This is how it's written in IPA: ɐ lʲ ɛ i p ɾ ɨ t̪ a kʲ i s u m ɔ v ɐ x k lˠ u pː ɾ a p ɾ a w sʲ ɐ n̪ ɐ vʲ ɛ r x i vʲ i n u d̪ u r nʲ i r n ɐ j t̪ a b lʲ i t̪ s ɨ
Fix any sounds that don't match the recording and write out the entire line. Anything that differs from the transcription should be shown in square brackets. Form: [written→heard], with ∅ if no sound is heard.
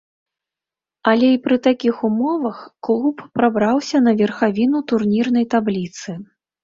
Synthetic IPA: ɐ lʲ ɛ i p ɾ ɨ t̪ a kʲ i [s→x] u m ɔ v ɐ x k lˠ u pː ɾ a [p→b] ɾ a w sʲ ɐ n̪ ɐ vʲ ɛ r x [i→a] vʲ i n u [d̪→t̪] u r nʲ i r n ɐ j t̪ a b lʲ i t̪ s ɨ

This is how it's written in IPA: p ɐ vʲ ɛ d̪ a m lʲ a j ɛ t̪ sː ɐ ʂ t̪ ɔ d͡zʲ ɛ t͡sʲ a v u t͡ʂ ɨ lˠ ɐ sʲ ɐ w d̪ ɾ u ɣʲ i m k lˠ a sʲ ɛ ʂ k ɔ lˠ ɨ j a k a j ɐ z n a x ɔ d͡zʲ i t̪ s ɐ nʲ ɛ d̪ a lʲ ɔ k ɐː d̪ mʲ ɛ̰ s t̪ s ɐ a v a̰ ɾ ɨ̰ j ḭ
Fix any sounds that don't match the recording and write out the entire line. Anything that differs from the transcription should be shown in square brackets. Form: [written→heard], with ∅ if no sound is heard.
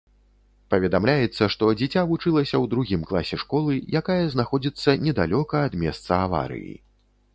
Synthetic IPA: p ɐ vʲ ɛ d̪ a m lʲ a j ɛ t̪ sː ɐ ʂ t̪ ɔ d͡zʲ ɛ t͡sʲ a v u t͡ʂ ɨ lˠ ɐ sʲ ɐ w d̪ ɾ u ɣʲ i m k lˠ a sʲ ɛ ʂ k ɔ lˠ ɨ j a k a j ɐ z n a x ɔ d͡zʲ i t̪ [s→sː] ɐ nʲ ɛ d̪ a lʲ ɔ k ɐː d̪ mʲ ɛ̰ s t̪ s ɐ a v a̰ ɾ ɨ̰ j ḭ

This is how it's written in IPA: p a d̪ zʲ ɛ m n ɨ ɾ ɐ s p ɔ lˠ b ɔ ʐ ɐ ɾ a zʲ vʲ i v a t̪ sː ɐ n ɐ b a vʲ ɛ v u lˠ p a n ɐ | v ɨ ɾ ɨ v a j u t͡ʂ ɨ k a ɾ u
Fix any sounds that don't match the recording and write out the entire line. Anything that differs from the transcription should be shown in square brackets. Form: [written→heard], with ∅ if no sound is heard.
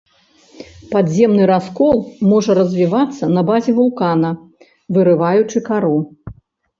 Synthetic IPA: p a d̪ zʲ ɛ m n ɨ ɾ [ɐ→a] s [p→k] ɔ lˠ [b→m] ɔ ʐ ɐ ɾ [a→ɐ] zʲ vʲ i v a t̪ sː ɐ n ɐ b a [vʲ→zʲ] ɛ v u lˠ [p→k] a n ɐ | v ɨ ɾ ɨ v a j u t͡ʂ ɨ k a ɾ u

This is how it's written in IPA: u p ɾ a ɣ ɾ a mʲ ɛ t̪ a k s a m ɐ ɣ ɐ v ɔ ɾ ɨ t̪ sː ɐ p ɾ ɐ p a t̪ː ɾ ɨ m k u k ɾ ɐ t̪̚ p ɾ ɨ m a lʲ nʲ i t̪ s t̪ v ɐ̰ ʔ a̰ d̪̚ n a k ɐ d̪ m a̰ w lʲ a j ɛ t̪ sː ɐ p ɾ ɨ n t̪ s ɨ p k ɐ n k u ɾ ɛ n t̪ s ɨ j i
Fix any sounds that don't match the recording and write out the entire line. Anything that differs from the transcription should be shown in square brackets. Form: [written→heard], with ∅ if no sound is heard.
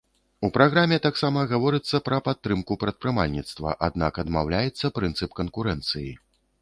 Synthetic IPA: u p ɾ a ɣ ɾ a mʲ ɛ t̪ a k s a m ɐ ɣ [ɐ→a] v ɔ ɾ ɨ t̪ sː ɐ p ɾ ɐ p a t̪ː ɾ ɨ m k u [k→p] ɾ ɐ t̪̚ p ɾ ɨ m a lʲ nʲ i t̪ s t̪ v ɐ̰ ʔ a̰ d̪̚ n a k ɐ d̪ m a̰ w lʲ a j ɛ t̪ sː ɐ p ɾ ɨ n t̪ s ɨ p k ɐ n k u ɾ ɛ n t̪ s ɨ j i

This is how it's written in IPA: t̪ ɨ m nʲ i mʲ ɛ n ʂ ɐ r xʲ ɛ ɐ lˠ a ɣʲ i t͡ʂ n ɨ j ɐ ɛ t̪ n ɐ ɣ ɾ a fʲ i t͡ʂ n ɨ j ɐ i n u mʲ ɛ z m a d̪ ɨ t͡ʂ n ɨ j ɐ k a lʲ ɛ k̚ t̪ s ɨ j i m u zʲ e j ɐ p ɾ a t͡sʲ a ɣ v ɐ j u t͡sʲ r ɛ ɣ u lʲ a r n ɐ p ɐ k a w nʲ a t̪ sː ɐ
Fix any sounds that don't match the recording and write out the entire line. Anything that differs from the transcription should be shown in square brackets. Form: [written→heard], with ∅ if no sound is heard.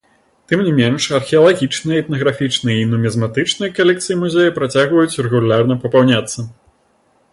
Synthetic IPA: t̪ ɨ m nʲ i mʲ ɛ n ʂ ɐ r xʲ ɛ ɐ lˠ a ɣʲ i t͡ʂ n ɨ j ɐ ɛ t̪ n ɐ ɣ ɾ a fʲ i t͡ʂ n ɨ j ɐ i n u mʲ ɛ z m a [d̪→t̪] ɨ t͡ʂ n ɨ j ɐ k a lʲ ɛ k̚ t̪ s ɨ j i m u zʲ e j ɐ p ɾ a t͡sʲ a ɣ v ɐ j u t͡sʲ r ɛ ɣ u lʲ a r n ɐ p ɐ [k→p] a w nʲ a t̪ sː ɐ

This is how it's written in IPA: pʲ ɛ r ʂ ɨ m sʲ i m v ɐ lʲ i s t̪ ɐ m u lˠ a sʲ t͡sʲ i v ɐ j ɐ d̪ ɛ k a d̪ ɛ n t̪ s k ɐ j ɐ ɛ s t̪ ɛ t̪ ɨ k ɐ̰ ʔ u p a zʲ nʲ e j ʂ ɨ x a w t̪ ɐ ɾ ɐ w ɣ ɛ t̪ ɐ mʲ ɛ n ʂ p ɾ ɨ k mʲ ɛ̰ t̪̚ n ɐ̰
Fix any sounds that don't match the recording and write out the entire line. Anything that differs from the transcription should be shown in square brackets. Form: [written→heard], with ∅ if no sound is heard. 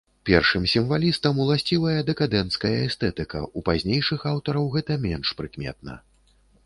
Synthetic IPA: pʲ ɛ r ʂ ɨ m sʲ i m v [ɐ→a] lʲ i s t̪ ɐ m u lˠ a sʲ t͡sʲ i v ɐ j ɐ d̪ ɛ k a d̪ ɛ n t̪ s k ɐ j ɐ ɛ s t̪ ɛ t̪ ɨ k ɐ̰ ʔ u p a zʲ nʲ e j ʂ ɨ x a w t̪ ɐ ɾ ɐ w ɣ ɛ t̪ ɐ mʲ ɛ n ʂ p ɾ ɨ k mʲ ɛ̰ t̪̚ n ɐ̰

